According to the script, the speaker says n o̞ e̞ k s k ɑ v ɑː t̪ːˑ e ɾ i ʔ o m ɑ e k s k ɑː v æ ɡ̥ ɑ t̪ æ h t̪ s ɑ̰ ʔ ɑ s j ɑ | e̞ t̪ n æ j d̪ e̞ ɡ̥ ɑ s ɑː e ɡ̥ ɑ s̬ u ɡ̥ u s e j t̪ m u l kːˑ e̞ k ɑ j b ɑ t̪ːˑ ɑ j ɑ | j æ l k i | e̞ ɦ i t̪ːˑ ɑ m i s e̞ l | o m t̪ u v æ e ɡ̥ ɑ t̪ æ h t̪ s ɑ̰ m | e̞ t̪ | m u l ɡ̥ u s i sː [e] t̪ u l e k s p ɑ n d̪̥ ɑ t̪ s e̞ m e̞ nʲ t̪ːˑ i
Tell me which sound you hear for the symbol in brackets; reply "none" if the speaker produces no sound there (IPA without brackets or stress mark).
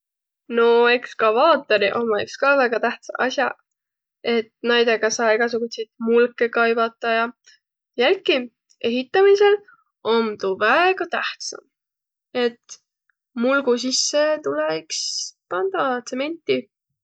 e